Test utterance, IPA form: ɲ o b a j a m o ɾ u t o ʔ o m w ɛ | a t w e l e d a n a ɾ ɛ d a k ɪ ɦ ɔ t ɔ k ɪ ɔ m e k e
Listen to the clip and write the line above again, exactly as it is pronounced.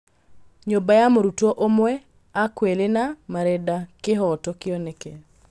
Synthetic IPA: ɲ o b a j a m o ɾ u t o ʔ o m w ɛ | a k w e l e n a m a ɾ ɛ d a k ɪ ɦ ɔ t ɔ k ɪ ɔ n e k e